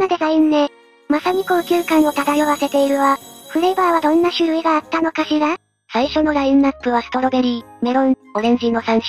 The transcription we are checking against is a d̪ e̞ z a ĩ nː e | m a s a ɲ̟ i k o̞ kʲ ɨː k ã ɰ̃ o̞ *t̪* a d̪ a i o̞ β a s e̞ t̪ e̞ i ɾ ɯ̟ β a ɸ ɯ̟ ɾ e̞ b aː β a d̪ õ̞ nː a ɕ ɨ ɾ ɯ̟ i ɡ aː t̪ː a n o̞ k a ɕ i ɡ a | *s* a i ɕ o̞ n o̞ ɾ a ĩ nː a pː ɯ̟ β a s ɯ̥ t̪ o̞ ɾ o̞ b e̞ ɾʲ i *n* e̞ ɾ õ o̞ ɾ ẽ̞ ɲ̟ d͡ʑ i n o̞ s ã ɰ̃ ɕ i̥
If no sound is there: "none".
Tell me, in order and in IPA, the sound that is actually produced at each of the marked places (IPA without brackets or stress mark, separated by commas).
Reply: t̪, s, m